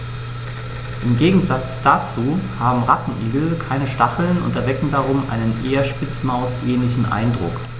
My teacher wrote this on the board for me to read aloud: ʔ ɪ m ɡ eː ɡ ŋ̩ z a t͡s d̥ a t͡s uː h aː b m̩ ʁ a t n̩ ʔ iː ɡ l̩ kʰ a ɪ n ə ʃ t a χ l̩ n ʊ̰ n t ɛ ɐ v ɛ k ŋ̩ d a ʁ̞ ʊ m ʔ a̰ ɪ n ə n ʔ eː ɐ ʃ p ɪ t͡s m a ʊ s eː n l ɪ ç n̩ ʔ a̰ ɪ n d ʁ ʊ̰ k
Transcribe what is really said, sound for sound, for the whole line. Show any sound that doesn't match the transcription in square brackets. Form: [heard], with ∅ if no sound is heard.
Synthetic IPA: ʔ ɪ m ɡ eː ɡ ŋ̩ z a t͡s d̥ a t͡s uː h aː b m̩ ʁ a t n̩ ʔ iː ɡ l̩ kʰ a ɪ n ə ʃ t a χ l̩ n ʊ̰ n t ɛ ɐ v ɛ k ŋ̩ d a ʁ̞ ʊ m ʔ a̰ ɪ n ə n ʔ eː ɐ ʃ p ɪ t͡s m a ʊ s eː n l ɪ ç n̩ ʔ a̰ ɪ n d ʁ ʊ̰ k

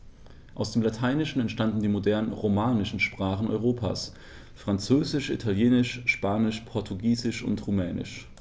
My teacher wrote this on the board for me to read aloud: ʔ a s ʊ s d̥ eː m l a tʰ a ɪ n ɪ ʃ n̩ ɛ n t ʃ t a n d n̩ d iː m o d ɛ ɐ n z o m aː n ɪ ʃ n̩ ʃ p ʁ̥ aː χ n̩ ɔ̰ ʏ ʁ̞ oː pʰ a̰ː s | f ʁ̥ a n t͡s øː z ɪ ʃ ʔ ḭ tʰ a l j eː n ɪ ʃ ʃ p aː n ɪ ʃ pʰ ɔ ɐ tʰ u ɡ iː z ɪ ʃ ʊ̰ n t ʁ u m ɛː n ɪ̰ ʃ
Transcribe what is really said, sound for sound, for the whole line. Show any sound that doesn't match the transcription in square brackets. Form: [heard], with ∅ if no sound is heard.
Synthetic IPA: ʔ a [∅] ʊ s d̥ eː m l a tʰ a ɪ n ɪ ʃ n̩ ɛ n t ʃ t a n d n̩ d iː m o d ɛ ɐ n [ʁ] o m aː n ɪ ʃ n̩ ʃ p ʁ̥ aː χ n̩ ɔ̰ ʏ ʁ̞ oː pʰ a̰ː s | f ʁ̥ a n t͡s øː z ɪ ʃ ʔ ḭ tʰ a l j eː n ɪ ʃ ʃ p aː n ɪ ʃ pʰ ɔ ɐ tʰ u ɡ iː z ɪ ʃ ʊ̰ n t ʁ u m ɛː n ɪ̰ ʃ

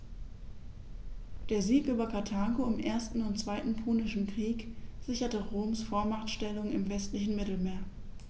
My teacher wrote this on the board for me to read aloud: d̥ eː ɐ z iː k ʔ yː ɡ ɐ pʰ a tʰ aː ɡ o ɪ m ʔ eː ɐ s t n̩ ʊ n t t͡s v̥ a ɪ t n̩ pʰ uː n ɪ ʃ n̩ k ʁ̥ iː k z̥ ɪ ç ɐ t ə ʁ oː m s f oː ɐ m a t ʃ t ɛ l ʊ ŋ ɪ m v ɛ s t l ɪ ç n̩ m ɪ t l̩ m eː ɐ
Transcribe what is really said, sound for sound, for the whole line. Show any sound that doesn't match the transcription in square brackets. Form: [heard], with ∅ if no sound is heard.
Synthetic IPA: d̥ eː ɐ z iː k ʔ yː [b] ɐ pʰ a tʰ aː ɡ o ɪ m ʔ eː ɐ s t n̩ ʊ n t t͡s v̥ a ɪ t n̩ pʰ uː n ɪ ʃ n̩ k ʁ̥ iː k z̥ ɪ ç ɐ t ə ʁ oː m s f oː ɐ m a t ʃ t ɛ l ʊ ŋ ɪ m v ɛ s t l ɪ ç n̩ m ɪ t l̩ m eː ɐ

